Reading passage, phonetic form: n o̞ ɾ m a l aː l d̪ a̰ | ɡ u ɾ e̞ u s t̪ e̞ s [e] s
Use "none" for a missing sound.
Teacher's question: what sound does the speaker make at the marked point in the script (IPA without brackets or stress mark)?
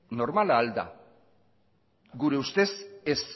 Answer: e